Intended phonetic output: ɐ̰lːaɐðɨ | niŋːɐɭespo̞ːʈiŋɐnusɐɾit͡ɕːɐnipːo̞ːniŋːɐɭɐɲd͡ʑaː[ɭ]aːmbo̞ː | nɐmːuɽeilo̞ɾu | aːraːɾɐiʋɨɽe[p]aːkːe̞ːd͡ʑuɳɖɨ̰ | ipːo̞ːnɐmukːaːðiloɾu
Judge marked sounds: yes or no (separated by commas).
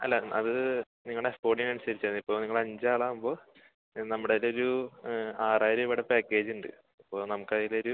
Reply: yes, yes